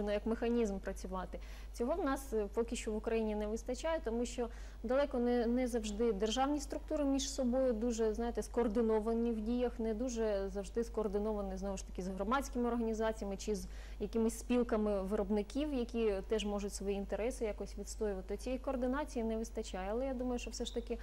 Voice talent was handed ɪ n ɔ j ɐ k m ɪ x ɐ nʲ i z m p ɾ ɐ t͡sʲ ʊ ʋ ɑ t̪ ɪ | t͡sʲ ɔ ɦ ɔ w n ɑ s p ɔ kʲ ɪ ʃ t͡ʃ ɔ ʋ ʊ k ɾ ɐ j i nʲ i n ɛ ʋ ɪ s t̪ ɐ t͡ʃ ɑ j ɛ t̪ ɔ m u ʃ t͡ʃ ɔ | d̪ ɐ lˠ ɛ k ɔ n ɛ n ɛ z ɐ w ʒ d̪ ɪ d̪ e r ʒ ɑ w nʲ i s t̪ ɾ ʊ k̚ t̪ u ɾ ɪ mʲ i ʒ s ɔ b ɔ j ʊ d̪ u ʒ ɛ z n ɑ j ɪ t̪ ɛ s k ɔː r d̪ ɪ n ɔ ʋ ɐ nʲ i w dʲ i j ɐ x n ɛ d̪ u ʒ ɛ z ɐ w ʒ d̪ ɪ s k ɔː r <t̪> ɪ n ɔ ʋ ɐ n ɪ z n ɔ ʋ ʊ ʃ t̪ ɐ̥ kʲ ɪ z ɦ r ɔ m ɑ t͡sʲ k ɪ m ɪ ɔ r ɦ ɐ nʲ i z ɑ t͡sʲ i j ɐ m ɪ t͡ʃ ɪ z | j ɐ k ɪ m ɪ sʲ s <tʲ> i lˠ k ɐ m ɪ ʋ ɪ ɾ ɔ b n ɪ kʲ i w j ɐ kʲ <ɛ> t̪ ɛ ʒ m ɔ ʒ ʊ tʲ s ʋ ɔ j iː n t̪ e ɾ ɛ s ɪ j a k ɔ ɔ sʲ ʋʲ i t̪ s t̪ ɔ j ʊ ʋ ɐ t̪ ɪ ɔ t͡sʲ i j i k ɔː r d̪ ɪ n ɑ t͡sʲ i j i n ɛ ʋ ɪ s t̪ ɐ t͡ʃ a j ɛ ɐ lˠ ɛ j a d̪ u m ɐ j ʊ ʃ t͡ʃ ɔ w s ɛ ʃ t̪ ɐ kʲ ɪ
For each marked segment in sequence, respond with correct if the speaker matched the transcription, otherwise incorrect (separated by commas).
incorrect, incorrect, incorrect